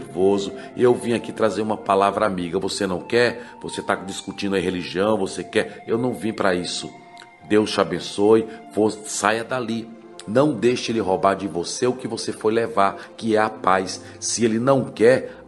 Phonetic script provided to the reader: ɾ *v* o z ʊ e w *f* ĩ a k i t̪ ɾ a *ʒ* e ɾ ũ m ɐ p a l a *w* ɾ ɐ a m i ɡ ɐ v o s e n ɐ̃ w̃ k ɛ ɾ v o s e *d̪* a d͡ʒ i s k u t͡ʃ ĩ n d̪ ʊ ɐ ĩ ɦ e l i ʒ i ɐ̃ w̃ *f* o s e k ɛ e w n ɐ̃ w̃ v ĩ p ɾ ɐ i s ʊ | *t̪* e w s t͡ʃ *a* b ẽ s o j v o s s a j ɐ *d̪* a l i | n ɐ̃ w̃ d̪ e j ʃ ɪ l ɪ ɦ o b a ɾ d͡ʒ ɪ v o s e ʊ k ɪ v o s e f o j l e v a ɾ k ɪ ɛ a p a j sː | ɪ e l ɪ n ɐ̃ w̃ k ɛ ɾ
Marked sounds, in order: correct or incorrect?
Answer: correct, incorrect, incorrect, incorrect, incorrect, incorrect, incorrect, correct, correct

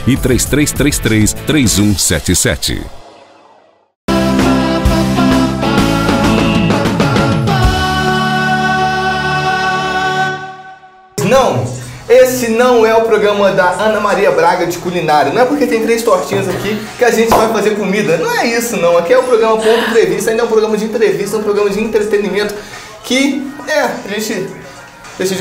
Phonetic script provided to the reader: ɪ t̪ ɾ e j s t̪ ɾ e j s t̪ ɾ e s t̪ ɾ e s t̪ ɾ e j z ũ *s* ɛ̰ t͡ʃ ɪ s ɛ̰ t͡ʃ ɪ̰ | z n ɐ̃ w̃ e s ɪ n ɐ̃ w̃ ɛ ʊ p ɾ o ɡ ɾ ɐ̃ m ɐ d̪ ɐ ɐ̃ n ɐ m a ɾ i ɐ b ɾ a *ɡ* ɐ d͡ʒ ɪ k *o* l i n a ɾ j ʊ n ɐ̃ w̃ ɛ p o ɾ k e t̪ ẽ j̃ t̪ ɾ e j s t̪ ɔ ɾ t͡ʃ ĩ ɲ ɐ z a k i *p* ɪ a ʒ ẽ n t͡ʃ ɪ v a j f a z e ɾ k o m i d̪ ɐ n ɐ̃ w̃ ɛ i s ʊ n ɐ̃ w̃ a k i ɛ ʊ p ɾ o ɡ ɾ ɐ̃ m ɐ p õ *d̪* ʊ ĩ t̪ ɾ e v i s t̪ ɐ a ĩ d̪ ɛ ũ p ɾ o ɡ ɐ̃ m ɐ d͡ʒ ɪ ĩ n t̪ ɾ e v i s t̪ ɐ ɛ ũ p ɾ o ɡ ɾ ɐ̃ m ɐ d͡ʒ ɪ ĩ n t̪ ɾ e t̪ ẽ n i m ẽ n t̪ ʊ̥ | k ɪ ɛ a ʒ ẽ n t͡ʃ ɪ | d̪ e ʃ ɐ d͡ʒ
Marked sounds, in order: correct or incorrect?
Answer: correct, correct, incorrect, incorrect, incorrect

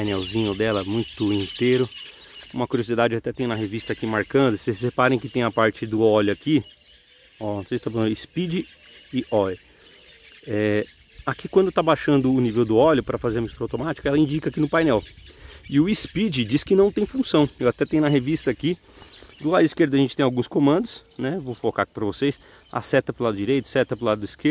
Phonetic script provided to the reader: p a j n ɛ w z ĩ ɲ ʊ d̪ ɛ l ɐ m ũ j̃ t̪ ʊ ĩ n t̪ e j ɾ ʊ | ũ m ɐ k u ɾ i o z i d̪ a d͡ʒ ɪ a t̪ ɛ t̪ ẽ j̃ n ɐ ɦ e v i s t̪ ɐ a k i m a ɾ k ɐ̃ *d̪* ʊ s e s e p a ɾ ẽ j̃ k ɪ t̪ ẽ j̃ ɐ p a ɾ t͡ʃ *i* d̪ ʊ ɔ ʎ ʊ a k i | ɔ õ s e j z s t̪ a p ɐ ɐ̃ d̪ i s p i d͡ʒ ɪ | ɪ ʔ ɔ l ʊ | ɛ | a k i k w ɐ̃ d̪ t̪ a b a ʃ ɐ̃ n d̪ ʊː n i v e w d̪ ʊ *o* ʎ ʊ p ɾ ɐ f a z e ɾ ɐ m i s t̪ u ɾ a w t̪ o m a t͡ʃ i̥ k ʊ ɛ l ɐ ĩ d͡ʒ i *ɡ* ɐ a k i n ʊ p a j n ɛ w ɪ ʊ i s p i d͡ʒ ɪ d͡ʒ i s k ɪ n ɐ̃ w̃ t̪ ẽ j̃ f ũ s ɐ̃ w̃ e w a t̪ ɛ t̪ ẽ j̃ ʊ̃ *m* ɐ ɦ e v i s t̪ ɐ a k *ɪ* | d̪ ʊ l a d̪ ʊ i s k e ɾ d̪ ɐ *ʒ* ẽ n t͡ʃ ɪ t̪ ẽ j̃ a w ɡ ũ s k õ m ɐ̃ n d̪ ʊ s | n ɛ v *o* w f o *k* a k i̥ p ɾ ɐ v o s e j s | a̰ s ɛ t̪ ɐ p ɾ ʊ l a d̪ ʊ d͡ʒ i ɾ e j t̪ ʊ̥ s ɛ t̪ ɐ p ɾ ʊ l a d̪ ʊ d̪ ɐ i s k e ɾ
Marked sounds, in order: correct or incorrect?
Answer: correct, incorrect, incorrect, incorrect, incorrect, incorrect, correct, correct, correct

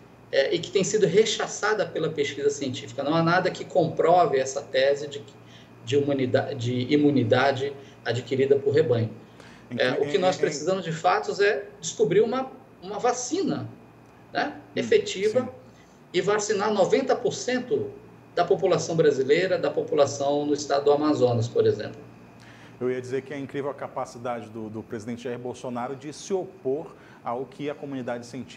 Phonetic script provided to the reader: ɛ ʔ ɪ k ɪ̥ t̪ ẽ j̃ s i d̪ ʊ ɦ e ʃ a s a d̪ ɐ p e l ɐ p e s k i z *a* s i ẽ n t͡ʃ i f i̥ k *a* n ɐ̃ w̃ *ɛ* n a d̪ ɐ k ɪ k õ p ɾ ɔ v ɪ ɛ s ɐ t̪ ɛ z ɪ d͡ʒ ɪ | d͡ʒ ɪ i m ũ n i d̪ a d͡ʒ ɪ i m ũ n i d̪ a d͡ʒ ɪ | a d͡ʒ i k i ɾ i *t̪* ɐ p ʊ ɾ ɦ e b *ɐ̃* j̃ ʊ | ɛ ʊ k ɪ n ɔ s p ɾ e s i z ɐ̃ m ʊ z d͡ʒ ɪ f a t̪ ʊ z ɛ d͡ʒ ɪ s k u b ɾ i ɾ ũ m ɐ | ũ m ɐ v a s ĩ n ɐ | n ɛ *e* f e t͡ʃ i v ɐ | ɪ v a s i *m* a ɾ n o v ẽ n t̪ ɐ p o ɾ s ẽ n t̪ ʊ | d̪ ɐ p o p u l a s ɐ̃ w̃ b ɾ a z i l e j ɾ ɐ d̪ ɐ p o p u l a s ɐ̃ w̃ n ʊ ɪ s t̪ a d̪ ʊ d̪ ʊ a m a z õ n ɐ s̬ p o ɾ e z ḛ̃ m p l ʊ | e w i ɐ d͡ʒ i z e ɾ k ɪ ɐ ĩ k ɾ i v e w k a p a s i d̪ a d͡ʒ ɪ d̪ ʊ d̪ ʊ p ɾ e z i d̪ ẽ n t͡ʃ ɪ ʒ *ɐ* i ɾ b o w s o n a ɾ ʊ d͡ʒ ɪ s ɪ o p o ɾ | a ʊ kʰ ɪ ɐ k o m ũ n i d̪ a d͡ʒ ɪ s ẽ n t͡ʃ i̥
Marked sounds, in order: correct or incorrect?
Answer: incorrect, incorrect, incorrect, incorrect, correct, correct, incorrect, incorrect

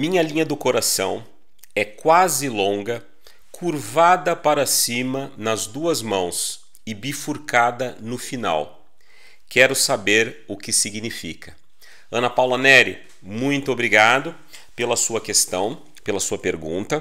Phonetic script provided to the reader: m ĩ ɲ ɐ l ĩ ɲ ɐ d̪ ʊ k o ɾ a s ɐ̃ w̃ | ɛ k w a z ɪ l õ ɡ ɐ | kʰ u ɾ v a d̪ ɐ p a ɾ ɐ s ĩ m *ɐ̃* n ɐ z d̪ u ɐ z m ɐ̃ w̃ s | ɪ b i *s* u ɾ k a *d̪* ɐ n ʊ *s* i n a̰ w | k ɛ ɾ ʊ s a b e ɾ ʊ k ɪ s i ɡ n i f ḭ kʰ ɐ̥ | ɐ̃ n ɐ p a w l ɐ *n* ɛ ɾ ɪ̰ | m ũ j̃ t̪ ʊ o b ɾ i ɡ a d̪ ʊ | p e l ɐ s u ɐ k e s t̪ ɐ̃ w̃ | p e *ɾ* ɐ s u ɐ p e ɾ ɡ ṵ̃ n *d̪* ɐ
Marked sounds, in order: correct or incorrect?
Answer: incorrect, incorrect, correct, incorrect, correct, incorrect, incorrect

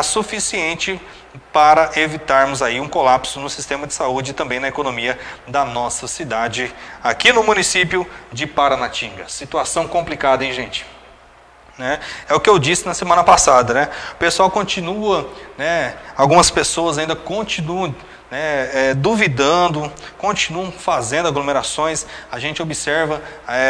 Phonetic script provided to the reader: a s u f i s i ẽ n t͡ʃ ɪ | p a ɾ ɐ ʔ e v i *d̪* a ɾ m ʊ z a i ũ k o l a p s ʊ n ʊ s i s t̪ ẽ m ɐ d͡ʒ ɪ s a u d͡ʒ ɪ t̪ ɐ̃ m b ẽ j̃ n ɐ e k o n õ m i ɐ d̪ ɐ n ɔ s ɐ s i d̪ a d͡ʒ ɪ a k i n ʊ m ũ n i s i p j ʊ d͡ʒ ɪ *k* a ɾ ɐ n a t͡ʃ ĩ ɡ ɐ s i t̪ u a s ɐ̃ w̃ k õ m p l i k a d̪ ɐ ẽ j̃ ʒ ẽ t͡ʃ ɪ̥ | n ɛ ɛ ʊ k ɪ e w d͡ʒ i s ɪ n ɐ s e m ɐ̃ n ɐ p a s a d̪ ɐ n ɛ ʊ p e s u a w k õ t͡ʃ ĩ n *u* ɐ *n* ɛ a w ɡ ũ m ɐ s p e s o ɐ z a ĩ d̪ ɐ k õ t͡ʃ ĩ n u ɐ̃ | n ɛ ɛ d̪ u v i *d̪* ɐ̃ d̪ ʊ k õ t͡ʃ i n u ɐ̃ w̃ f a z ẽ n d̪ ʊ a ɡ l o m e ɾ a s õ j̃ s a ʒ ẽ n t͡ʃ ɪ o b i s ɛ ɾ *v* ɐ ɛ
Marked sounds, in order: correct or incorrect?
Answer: incorrect, incorrect, correct, correct, correct, correct

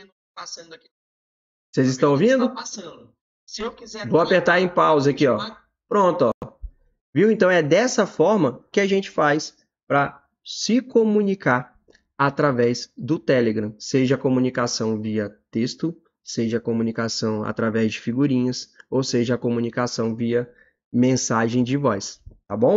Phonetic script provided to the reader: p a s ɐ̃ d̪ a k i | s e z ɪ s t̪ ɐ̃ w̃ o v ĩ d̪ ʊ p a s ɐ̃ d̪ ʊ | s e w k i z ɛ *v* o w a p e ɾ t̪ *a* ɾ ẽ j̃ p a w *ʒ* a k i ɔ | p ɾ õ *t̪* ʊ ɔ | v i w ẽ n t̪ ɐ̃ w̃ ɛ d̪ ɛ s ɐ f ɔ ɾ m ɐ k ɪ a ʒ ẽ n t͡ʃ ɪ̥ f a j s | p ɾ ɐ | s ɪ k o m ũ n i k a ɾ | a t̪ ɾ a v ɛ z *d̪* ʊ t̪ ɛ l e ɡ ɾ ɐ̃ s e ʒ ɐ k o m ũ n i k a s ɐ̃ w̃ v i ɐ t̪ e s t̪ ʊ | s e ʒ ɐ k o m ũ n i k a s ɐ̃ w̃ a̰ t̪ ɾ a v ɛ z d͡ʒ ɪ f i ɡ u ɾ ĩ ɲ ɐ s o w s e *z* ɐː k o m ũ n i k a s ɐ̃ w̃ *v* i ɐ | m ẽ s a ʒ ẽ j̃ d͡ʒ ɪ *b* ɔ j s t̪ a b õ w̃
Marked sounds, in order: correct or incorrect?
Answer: correct, correct, incorrect, correct, correct, incorrect, correct, incorrect

